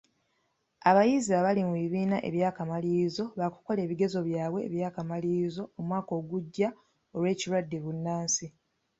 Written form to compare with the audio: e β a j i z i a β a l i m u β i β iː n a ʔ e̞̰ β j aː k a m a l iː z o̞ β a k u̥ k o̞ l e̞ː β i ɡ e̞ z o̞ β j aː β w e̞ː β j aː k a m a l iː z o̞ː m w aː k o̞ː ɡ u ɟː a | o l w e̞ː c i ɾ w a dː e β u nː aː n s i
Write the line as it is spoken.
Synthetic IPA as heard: a β a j i z i a β a l i m u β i β iː n a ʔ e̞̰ β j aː k a m a l iː z o̞ β a k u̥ k o̞ l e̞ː β i ɡ e̞ z o̞ β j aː β w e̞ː β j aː k a m a l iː z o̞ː m w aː k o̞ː ɡ u ɟː a | o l w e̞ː c i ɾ w a dː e β u nː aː n s i